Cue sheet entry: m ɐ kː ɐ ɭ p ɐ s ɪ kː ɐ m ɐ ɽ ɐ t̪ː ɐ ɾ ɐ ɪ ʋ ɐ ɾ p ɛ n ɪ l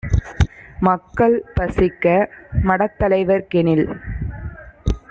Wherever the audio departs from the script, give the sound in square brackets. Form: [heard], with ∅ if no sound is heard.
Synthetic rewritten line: m ɐ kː ɐ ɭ p ɐ s ɪ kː ɐ m ɐ ɽ ɐ t̪ː ɐ [l] ɐ ɪ ʋ ɐ ɾ [k] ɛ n ɪ l

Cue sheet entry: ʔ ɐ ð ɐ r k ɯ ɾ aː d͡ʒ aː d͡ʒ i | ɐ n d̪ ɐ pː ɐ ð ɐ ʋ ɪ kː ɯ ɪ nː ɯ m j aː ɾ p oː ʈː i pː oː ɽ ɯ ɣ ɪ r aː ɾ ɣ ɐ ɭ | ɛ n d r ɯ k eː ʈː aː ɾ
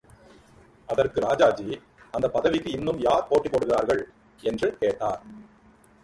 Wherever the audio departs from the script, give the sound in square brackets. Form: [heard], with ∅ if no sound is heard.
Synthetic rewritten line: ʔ ɐ ð ɐ r k ɯ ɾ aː d͡ʒ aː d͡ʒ i | ɐ n d̪ ɐ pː ɐ ð ɐ ʋ ɪ kː ɯ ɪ nː ɯ m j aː ɾ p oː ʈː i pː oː ɽ ɯ ɣ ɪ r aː ɾ ɣ ɐ ɭ | ɛ n d r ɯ k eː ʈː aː ɾ

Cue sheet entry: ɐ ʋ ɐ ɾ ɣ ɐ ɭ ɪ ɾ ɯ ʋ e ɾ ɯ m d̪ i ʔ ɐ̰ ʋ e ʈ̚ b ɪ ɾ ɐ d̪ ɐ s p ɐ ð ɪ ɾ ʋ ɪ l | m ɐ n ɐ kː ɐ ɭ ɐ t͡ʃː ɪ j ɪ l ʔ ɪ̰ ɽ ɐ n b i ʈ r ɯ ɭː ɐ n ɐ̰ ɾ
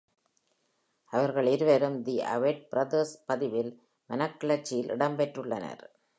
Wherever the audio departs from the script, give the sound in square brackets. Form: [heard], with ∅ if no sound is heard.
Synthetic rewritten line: ɐ ʋ ɐ ɾ ɣ ɐ ɭ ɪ ɾ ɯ ʋ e ɾ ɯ m d̪ i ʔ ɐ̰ ʋ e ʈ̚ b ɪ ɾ ɐ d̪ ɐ s p ɐ ð ɪ [∅] ʋ ɪ l | m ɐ n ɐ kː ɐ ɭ ɐ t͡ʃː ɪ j ɪ l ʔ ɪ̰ ɽ ɐ [m] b [ɛ] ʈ r ɯ ɭː ɐ n ɐ̰ ɾ

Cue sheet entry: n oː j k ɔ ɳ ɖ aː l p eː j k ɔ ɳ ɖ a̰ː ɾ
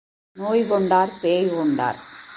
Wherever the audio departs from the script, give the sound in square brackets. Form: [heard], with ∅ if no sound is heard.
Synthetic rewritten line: n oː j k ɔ ɳ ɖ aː [ɾ] p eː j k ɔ ɳ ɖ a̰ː ɾ

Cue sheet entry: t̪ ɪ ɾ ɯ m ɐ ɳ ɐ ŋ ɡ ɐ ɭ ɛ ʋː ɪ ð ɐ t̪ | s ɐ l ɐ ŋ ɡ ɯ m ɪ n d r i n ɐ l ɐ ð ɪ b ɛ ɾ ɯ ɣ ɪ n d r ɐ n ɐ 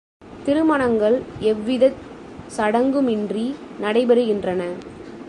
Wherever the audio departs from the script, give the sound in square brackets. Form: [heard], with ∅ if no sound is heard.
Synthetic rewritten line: t̪ ɪ ɾ ɯ m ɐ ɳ ɐ ŋ ɡ ɐ ɭ ɛ ʋː ɪ ð ɐ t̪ | s ɐ [ɽ] ɐ ŋ ɡ ɯ m ɪ n d r i n ɐ [ɽ] ɐ [∅] ɪ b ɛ ɾ ɯ ɣ ɪ n d r ɐ n ɐ

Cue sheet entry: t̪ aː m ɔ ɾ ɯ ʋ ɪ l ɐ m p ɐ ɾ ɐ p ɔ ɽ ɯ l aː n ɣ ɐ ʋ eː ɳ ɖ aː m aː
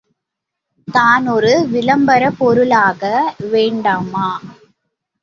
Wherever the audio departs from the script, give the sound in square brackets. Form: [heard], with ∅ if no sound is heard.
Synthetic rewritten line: t̪ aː [n] ɔ ɾ ɯ ʋ ɪ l ɐ m [b] ɐ ɾ ɐ p ɔ [ɾ] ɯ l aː [∅] ɣ ɐ ʋ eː ɳ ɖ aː m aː

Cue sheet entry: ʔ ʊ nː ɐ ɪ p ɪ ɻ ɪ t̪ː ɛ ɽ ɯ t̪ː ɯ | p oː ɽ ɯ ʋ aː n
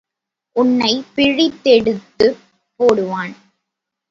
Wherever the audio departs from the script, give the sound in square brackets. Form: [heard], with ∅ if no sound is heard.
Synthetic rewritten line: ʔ ʊ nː ɐ ɪ p ɪ ɻ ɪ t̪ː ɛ ɽ ɯ t̪ː ɯ | p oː ɽ ɯ ʋ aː n

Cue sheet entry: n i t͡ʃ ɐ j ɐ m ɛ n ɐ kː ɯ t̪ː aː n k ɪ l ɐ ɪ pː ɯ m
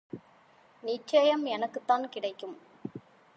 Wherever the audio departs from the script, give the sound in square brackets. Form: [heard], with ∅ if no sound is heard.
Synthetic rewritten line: n [ɪ] t͡ʃ ɐ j ɐ m ɛ n ɐ kː ɯ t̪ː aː n k ɪ [ɽ] ɐ ɪ [kː] ɯ m

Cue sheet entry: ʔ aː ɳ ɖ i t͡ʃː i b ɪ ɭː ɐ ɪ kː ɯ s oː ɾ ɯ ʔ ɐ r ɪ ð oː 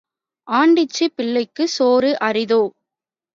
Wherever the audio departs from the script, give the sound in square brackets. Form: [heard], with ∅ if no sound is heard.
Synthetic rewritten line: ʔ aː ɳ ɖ [ɪ] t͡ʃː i [p] ɪ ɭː ɐ ɪ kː ɯ s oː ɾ ɯ ʔ ɐ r ɪ ð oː

